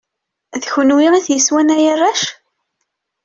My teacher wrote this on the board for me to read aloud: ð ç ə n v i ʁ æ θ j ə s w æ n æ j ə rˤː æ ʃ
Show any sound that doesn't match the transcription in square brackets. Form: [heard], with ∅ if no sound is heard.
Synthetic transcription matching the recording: ð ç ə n [w] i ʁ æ θ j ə s w æ n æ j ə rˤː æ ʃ